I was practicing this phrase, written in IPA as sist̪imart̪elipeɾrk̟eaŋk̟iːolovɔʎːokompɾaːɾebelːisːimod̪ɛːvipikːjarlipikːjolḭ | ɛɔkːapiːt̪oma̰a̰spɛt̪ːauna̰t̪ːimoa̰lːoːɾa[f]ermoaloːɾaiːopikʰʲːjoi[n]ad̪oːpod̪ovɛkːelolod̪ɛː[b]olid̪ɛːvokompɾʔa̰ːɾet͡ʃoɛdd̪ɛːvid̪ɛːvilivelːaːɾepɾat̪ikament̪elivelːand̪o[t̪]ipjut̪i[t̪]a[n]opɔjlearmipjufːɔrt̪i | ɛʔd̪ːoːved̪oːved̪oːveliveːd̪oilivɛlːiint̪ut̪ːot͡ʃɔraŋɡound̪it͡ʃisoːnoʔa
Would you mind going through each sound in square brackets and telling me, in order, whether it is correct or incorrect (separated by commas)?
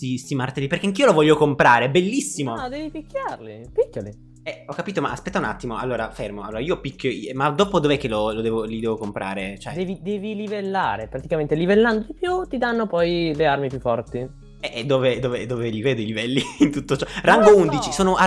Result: correct, incorrect, incorrect, incorrect, incorrect, incorrect